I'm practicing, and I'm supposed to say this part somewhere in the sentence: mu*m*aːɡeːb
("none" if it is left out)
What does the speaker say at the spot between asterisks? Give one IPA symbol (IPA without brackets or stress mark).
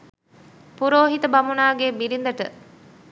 n